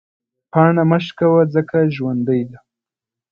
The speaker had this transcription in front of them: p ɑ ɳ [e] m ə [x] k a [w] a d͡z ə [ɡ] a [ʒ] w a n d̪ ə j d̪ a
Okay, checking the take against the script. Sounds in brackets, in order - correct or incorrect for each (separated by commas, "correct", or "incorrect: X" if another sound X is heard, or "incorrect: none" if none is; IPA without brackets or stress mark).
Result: incorrect: a, incorrect: ʃ, correct, incorrect: k, correct